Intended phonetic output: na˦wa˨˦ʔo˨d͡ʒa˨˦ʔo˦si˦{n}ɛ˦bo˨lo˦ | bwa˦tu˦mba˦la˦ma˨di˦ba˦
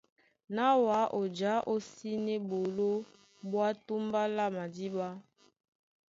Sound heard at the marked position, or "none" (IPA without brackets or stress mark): n